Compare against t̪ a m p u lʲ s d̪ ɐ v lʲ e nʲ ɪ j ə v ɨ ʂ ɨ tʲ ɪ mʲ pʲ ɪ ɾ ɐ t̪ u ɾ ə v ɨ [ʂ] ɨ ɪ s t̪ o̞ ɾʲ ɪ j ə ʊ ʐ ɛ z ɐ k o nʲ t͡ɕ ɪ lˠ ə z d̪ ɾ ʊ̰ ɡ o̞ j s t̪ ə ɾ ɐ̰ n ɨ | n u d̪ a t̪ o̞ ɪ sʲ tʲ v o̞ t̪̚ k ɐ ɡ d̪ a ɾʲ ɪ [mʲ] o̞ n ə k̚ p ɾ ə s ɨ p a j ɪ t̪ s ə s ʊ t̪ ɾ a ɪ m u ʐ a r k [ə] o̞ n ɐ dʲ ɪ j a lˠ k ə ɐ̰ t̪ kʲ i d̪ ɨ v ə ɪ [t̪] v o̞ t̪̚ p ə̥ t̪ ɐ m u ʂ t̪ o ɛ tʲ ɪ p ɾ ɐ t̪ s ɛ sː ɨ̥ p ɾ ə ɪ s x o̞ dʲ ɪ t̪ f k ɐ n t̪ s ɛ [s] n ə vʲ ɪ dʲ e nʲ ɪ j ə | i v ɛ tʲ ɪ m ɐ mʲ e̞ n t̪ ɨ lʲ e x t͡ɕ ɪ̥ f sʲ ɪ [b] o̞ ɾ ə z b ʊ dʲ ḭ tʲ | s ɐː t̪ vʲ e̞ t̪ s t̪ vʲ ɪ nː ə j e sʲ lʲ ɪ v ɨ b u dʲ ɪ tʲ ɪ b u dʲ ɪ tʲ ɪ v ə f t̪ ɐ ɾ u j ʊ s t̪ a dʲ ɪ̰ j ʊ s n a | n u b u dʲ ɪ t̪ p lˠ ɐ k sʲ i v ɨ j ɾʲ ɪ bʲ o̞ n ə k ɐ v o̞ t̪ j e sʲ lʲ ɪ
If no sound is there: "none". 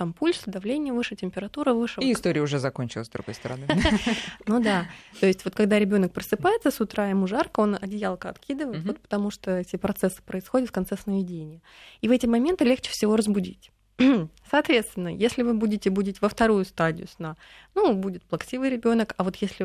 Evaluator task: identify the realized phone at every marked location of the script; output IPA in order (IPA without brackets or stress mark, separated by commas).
ʂ, bʲ, ə, t̪, s, v